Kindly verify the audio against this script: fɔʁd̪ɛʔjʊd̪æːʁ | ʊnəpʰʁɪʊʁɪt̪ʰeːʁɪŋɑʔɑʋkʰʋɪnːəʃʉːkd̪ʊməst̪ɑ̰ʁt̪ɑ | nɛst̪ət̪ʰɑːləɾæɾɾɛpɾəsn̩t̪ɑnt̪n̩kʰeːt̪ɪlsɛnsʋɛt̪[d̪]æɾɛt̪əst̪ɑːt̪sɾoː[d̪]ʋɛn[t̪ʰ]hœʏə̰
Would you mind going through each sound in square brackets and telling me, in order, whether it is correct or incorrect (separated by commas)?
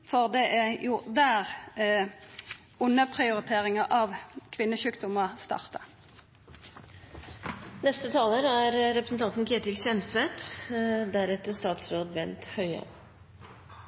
correct, correct, incorrect